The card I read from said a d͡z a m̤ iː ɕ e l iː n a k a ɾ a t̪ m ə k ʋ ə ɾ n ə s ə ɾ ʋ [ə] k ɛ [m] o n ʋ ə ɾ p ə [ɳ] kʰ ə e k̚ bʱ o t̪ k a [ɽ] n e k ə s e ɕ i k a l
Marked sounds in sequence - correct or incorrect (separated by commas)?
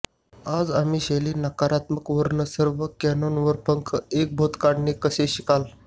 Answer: correct, incorrect, incorrect, correct